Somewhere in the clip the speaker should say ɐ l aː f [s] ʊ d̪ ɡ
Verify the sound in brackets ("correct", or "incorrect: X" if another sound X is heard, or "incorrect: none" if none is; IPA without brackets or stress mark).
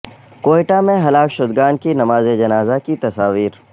incorrect: ʃ